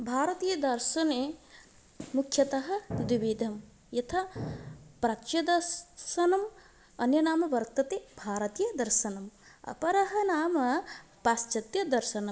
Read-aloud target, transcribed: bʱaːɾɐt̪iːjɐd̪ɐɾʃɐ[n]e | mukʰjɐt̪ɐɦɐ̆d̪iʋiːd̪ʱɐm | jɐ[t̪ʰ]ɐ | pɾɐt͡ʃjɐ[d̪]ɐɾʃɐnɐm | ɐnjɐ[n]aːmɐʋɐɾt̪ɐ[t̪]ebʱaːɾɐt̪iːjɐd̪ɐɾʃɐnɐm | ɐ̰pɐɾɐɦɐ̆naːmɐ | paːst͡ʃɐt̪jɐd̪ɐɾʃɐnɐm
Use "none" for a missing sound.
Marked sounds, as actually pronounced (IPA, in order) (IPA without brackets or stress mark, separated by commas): n, t̪ʰ, d̪, n, t̪